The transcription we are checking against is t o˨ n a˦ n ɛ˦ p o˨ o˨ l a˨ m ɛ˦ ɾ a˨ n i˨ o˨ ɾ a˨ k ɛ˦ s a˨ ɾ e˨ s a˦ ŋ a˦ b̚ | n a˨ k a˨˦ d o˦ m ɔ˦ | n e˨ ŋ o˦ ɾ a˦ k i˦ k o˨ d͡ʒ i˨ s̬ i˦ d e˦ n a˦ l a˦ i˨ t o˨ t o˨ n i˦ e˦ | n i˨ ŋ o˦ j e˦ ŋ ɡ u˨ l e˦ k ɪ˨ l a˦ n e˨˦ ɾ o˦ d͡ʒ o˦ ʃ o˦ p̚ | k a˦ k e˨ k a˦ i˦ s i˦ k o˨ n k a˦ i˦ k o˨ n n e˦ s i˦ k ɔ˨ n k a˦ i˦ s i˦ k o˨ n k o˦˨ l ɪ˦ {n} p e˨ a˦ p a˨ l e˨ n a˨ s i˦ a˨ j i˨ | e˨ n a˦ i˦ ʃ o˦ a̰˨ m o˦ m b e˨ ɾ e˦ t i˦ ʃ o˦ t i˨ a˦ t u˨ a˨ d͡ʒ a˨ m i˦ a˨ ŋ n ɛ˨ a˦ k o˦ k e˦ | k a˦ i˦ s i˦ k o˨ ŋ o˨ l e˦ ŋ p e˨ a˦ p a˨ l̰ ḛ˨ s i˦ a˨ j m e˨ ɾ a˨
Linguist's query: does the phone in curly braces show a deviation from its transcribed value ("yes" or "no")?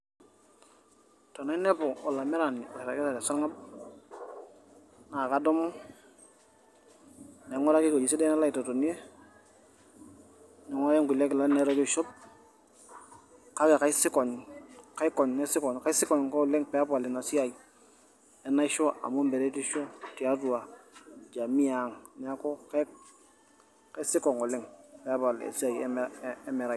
yes